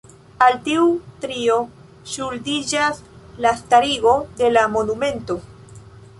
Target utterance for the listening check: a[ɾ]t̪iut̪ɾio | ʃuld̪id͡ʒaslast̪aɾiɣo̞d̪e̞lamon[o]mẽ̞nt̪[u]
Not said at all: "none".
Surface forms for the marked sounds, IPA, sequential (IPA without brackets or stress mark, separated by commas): l, u, o